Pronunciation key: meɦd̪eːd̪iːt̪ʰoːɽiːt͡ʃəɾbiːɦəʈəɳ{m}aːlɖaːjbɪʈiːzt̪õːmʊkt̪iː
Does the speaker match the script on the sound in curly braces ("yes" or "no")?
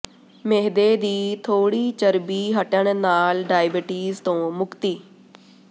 no